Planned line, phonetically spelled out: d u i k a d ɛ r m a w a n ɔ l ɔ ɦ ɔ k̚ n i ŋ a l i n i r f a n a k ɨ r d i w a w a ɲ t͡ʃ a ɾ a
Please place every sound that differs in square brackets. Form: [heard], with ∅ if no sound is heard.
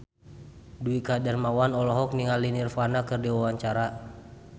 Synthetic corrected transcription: d u i k a d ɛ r m a w a n ɔ l ɔ ɦ ɔ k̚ n i ŋ a l i n i r f a n a k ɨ r d i w a w a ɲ t͡ʃ a ɾ a